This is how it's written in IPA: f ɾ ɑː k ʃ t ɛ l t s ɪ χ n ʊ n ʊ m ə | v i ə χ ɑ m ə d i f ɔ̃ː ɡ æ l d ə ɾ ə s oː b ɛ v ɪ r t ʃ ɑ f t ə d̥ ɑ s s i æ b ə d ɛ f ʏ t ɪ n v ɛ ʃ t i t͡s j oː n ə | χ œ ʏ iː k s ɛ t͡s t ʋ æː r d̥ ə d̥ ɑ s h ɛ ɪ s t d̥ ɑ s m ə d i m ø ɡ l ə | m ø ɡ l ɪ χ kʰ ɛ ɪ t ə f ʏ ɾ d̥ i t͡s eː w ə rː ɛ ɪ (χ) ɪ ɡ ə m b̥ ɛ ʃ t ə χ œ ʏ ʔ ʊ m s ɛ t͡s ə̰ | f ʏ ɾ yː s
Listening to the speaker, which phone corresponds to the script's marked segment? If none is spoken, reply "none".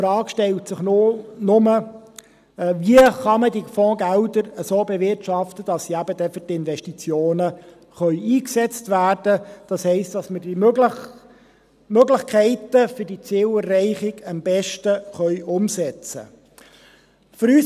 χ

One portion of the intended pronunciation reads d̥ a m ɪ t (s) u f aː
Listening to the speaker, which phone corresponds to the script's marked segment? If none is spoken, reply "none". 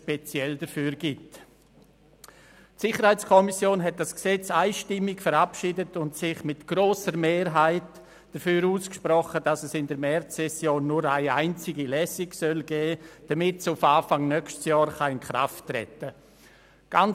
s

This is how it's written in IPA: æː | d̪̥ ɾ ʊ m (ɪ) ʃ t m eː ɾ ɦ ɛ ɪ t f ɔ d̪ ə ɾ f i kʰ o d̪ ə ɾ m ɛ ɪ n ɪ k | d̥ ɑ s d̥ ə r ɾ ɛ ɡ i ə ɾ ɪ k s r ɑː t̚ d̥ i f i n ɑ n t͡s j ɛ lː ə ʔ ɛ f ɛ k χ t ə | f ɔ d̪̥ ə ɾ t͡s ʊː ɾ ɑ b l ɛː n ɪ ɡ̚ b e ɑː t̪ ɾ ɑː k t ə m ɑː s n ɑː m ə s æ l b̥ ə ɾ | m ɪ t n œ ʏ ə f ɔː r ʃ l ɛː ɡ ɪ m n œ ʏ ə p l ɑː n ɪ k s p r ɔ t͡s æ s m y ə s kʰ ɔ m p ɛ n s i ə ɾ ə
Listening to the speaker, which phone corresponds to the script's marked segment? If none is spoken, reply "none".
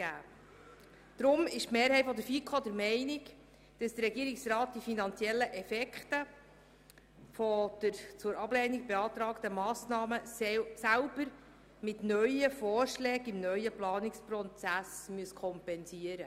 ɪ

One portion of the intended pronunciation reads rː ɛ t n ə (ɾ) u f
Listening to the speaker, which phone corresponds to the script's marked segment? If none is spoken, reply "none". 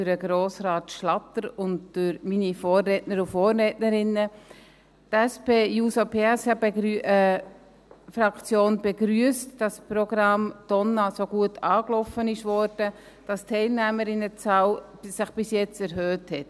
ɾ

